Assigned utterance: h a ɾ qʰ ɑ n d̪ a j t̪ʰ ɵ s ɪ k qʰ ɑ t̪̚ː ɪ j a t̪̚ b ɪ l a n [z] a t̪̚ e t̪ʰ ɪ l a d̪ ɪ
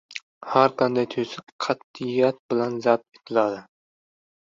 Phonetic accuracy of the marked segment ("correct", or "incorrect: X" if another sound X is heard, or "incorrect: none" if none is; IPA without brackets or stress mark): correct